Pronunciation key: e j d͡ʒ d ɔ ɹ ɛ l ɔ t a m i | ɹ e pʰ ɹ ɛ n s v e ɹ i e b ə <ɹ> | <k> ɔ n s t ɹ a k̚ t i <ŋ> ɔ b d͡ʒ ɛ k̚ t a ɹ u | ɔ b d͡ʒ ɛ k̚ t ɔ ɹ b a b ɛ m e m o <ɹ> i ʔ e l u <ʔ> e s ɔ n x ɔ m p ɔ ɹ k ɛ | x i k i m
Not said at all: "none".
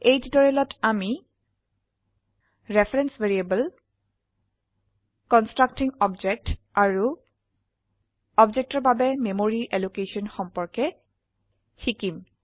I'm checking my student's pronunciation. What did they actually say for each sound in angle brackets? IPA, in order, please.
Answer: l, k, ŋ, ɹ, k

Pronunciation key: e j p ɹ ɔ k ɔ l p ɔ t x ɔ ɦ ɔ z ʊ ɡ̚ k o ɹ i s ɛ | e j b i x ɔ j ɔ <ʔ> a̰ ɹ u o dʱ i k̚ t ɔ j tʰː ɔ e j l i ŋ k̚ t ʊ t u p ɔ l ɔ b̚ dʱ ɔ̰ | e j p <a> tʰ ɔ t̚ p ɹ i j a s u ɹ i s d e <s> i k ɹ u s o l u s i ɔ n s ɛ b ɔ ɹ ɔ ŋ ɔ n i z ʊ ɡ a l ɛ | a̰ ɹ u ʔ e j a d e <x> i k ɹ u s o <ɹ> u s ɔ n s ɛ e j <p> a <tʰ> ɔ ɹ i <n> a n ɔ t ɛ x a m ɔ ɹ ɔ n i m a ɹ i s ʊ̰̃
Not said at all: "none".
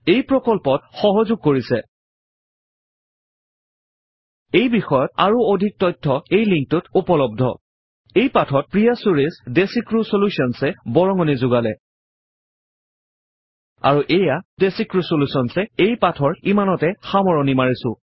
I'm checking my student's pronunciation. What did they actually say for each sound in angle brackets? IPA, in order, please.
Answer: t, a, s, s, l, p, tʰ, m

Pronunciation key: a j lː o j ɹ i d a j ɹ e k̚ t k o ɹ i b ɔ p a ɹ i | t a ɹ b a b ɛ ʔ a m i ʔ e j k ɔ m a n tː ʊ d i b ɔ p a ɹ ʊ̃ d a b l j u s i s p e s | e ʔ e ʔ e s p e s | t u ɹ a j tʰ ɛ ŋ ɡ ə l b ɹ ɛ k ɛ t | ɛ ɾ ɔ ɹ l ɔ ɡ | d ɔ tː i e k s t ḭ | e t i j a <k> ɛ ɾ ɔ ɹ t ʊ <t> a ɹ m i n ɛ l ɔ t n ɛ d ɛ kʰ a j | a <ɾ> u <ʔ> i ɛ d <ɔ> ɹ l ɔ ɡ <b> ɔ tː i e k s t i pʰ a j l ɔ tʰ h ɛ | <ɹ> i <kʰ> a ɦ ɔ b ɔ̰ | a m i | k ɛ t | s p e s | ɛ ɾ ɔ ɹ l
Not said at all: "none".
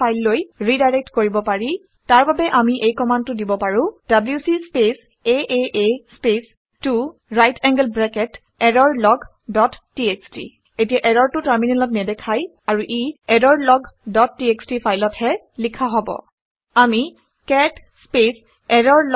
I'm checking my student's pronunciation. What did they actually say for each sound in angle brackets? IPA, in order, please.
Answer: ʔ, t, ɹ, ʔ, ɔ, d, l, kʰ

